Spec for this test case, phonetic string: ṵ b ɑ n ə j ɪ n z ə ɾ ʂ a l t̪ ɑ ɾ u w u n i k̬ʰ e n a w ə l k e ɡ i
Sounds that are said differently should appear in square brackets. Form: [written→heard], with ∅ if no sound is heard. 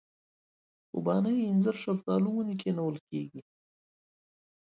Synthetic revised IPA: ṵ b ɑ n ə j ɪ n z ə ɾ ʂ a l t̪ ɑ [ɾ→l] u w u n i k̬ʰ e n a w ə l k e ɡ i